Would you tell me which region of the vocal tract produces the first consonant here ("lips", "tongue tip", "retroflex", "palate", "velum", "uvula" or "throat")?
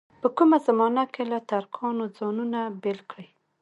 lips